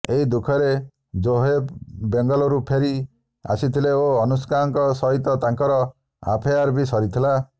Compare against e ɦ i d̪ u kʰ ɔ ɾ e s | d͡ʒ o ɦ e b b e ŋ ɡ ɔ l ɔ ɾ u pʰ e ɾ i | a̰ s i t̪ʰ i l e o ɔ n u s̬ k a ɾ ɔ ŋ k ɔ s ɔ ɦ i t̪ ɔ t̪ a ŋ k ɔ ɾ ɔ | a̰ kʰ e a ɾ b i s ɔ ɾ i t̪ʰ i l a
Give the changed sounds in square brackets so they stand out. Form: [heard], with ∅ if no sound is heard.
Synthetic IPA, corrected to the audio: e ɦ i d̪ u kʰ ɔ ɾ e [∅] | d͡ʒ o ɦ e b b e ŋ ɡ ɔ l ɔ ɾ u pʰ e ɾ i | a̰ s i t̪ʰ i l e o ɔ n u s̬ k a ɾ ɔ ŋ k ɔ s ɔ ɦ i t̪ ɔ t̪ a ŋ k ɔ ɾ ɔ | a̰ [pʰ] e a ɾ b i s ɔ ɾ i t̪ʰ i l a